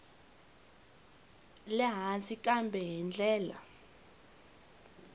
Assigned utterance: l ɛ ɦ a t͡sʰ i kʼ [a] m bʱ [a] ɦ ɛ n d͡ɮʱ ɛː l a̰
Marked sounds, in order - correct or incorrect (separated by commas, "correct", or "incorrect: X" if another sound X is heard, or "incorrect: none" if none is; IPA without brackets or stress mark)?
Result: correct, incorrect: ɛ